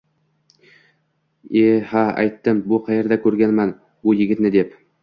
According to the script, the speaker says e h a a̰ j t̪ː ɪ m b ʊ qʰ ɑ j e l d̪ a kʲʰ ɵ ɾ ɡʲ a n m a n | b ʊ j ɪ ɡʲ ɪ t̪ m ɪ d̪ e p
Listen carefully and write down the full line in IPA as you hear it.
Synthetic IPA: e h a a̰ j t̪ː ɪ m b ʊ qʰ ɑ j e ɾ d̪ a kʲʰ ɵ ɾ ɡʲ a n m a n | b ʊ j ɪ ɡʲ ɪ t̪ n ɪ d̪ e p